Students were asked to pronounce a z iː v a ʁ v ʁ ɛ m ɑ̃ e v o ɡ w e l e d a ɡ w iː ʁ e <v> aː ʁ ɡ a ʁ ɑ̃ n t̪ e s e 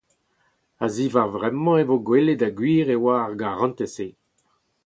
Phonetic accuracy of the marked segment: incorrect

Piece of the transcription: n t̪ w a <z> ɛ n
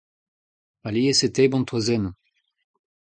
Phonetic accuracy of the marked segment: correct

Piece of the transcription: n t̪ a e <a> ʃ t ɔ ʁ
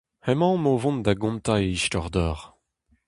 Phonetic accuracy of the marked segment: incorrect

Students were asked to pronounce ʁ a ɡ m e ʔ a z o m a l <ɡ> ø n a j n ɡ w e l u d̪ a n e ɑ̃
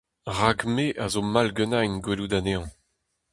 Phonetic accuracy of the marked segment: correct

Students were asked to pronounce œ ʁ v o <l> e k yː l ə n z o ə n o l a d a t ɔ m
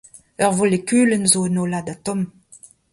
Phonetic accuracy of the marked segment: correct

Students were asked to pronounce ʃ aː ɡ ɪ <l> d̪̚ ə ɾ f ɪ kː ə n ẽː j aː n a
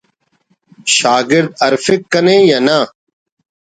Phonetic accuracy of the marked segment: incorrect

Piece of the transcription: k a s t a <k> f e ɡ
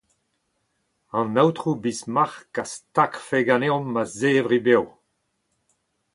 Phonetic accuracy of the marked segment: correct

